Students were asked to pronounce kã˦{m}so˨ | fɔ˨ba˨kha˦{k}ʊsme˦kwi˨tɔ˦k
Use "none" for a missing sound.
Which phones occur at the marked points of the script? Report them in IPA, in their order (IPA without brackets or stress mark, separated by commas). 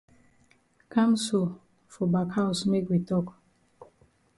m, none